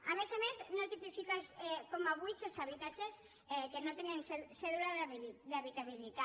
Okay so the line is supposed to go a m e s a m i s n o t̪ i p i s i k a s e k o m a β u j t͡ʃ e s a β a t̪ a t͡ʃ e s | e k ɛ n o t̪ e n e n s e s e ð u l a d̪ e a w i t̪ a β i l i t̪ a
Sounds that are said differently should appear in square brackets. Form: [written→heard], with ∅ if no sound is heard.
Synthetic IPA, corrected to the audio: a m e s a m [i→e] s n o t̪ i p i [s→f] i k a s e k o m a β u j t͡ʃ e s a β [a→i] t̪ a t͡ʃ e s | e k [ɛ→e] n o t̪ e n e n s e s e ð u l a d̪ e a [w→β] i t̪ a β i l i t̪ a